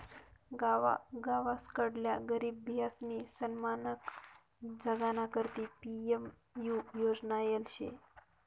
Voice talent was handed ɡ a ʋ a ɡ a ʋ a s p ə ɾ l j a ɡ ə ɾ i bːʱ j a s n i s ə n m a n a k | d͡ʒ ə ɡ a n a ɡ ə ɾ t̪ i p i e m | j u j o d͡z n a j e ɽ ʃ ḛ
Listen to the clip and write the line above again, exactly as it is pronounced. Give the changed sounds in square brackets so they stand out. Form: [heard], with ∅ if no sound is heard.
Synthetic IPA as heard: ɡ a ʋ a ɡ a ʋ a s [k] ə [ɽ] l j a ɡ ə ɾ i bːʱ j a s n i s ə n m a n [ə] k | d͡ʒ ə ɡ a n a [k] ə ɾ t̪ i p i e m | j u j o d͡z n a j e [l] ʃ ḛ

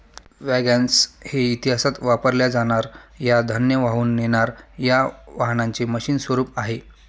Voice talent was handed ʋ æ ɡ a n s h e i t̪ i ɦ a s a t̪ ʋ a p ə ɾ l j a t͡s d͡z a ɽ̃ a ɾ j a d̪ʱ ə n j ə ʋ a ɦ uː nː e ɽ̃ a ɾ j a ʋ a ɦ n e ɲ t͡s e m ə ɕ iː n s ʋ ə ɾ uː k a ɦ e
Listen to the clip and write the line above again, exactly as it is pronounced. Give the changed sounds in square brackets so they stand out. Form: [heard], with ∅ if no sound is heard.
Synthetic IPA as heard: ʋ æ ɡ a n s h e i t̪ i ɦ a s a t̪ ʋ a p ə ɾ l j a [∅] d͡z a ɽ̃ a ɾ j a d̪ʱ ə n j ə ʋ a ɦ uː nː e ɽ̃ a ɾ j a ʋ a ɦ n [a] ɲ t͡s e m ə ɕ iː n s ʋ ə ɾ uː [p] a ɦ e

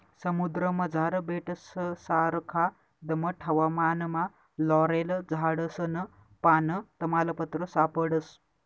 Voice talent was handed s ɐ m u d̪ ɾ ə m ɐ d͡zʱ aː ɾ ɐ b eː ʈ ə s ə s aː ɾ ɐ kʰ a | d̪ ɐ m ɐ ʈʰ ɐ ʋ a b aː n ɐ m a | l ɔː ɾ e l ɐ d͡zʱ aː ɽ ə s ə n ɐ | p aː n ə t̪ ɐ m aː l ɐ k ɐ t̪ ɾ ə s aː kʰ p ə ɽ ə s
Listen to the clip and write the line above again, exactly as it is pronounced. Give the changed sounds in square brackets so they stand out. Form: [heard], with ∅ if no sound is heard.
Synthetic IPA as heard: s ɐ m u d̪ ɾ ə m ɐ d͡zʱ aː ɾ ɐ b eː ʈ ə s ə s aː ɾ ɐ kʰ a | d̪ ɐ m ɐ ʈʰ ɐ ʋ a [m] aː n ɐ m a | l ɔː ɾ e l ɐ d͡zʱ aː ɽ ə s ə n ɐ | p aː n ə t̪ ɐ m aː l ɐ [p] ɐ t̪ ɾ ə s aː [∅] p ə ɽ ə s

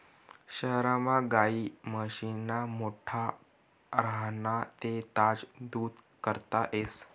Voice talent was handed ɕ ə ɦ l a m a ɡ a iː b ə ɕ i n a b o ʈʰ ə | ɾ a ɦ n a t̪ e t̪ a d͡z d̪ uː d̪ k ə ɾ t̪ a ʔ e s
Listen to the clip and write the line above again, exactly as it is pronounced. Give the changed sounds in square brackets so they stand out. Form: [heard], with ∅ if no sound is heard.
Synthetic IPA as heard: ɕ ə ɦ [ɾ] a m a ɡ a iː [m] ə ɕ i n a [m] o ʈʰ [a] | ɾ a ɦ n a t̪ e t̪ a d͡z d̪ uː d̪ k ə ɾ t̪ a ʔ e s

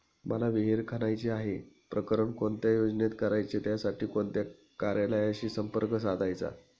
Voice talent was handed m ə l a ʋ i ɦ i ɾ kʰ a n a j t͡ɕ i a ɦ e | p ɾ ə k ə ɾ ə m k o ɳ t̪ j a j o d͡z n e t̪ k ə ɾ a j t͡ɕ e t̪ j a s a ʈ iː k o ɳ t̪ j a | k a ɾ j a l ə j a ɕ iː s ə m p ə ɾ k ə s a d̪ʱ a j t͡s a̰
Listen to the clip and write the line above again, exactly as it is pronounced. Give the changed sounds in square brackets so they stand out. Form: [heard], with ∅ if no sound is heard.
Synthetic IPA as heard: m ə l a ʋ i ɦ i ɾ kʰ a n a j t͡ɕ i a ɦ e | p ɾ ə k ə ɾ ə [ɳ] k o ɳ t̪ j a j o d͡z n e t̪ k ə ɾ a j t͡ɕ e t̪ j a s a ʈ iː k o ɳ t̪ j a | k a ɾ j a l ə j a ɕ iː s ə m p ə ɾ k ə s a d̪ʱ a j t͡s a̰

